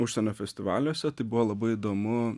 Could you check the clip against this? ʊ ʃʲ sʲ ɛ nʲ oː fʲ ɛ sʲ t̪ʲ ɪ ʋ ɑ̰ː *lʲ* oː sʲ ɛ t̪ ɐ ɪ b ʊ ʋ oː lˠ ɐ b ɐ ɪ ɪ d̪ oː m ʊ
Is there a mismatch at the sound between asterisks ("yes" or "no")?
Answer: no